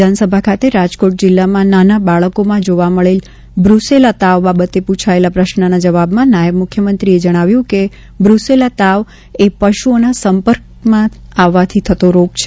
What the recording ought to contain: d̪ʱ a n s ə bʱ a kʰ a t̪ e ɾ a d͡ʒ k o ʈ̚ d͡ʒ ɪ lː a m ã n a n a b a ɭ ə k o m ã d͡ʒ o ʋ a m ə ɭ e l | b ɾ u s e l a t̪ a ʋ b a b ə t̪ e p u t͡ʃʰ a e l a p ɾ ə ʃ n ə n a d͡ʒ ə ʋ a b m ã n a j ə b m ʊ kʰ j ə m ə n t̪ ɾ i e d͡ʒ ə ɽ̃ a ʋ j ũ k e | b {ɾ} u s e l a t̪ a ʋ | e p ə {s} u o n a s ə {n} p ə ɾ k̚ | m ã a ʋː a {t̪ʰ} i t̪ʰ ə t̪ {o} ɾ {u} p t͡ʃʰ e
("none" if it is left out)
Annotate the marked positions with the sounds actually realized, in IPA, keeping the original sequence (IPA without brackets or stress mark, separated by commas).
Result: ɾ, ʃ, m, t̪ʰ, o, o